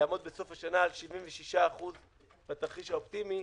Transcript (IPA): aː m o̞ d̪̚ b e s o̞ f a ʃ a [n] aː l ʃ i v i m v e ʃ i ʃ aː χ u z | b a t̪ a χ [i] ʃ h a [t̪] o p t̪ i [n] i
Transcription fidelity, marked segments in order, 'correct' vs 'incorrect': correct, correct, incorrect: none, incorrect: m

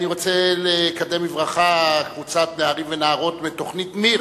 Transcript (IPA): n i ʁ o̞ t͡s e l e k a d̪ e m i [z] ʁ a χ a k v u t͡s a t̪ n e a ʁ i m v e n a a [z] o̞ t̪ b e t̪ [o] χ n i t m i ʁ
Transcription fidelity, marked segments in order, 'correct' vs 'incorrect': incorrect: v, incorrect: ʁ, correct

